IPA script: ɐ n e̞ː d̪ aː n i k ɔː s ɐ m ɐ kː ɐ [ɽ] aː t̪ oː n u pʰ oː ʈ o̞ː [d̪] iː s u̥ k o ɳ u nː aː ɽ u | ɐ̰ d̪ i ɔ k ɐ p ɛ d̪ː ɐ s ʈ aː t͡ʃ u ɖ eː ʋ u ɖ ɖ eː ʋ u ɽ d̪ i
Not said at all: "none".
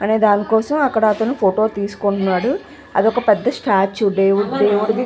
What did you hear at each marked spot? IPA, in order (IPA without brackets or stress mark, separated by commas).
ɽ, t̪